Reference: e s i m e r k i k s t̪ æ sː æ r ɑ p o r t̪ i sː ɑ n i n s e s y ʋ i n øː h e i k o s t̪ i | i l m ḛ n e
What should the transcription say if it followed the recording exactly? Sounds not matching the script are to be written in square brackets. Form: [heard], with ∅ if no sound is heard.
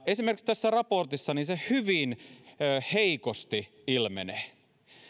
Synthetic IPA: e s i m e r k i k s t̪ æ sː æ r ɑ p o r t̪ i sː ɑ n i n s e [h] y ʋ i n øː h e i k o s t̪ i | i l m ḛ n e